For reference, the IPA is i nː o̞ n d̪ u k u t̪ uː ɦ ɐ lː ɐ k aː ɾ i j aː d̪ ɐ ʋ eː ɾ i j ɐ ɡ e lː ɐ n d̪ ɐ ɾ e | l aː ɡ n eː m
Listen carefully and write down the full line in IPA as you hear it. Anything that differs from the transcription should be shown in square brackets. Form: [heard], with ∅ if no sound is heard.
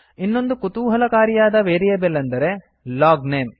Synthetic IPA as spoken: i nː o̞ n d̪ u k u t̪ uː ɦ ɐ [l] ɐ k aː ɾ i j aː d̪ ɐ ʋ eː ɾ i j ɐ [b] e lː ɐ n d̪ ɐ ɾ e | l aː ɡ n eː m